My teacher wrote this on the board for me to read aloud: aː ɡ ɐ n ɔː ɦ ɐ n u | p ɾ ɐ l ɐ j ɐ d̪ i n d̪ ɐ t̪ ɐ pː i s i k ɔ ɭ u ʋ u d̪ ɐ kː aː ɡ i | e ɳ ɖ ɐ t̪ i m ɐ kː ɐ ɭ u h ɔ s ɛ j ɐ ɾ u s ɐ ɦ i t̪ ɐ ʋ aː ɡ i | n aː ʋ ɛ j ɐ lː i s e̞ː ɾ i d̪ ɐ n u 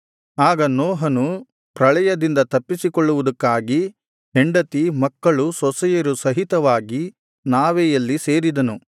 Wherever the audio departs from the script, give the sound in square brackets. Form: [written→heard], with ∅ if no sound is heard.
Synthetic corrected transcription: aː ɡ ɐ n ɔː ɦ ɐ n u | p ɾ ɐ [l→ɭ] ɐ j ɐ d̪ i n d̪ ɐ t̪ ɐ pː i s i k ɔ [ɭ→ɭː] u ʋ u d̪ ɐ kː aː ɡ i | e ɳ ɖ ɐ t̪ i m ɐ kː ɐ ɭ u [h→s] ɔ s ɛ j ɐ ɾ u s ɐ ɦ i t̪ ɐ ʋ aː ɡ i | n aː ʋ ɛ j ɐ lː i s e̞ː ɾ i d̪ ɐ n u